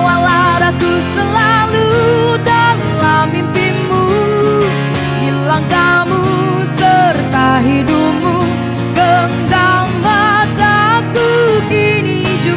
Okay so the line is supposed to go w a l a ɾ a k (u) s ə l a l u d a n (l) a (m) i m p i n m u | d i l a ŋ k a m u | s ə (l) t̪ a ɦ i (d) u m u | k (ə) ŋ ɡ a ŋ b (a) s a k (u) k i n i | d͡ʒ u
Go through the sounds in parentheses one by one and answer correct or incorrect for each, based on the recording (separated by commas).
correct, correct, correct, incorrect, correct, correct, correct, correct